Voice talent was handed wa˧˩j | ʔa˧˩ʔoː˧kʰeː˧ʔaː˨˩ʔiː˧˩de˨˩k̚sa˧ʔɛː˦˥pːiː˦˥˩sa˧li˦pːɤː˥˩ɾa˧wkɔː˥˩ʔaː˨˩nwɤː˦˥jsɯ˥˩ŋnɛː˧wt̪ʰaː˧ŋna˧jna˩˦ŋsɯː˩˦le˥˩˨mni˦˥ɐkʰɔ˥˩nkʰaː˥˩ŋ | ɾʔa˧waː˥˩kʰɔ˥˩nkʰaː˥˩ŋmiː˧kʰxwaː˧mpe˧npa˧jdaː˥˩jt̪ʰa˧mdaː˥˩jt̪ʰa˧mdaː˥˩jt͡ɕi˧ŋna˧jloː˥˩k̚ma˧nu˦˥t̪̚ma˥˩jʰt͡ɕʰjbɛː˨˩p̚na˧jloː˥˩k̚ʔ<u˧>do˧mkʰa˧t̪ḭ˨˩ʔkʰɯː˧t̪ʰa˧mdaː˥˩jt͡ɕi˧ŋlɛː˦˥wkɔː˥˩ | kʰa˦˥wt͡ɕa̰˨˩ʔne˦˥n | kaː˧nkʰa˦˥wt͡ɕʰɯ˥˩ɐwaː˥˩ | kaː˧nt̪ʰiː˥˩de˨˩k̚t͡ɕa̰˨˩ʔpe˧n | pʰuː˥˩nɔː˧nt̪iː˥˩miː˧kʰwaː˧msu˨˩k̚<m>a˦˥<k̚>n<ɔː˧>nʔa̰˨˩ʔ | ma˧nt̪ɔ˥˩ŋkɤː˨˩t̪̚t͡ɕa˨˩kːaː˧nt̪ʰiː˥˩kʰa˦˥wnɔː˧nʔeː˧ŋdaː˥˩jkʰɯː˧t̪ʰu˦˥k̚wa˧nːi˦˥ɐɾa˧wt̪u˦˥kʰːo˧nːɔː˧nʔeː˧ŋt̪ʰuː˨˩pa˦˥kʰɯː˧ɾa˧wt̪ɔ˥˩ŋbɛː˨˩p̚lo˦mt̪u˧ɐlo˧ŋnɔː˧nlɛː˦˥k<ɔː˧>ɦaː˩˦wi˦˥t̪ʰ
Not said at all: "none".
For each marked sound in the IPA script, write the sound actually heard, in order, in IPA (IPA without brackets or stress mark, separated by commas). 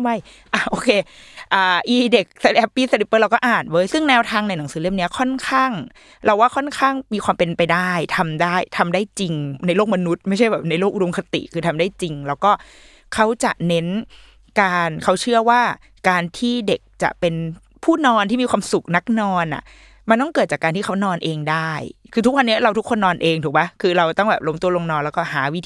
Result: u˧, n, k̚, ɔː˧, ɔː˥˩